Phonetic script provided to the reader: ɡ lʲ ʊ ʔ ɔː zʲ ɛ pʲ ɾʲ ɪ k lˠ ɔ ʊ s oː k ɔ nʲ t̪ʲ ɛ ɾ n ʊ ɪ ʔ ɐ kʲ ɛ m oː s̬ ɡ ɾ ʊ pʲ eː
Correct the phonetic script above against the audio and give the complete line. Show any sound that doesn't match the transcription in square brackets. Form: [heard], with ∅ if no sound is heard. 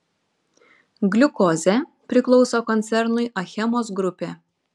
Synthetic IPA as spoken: ɡ lʲ ʊ [k] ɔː zʲ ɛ pʲ ɾʲ ɪ k lˠ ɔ ʊ s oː k ɔ nʲ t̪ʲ ɛ ɾ n ʊ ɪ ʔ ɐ [xʲ] ɛ m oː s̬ ɡ ɾ ʊ pʲ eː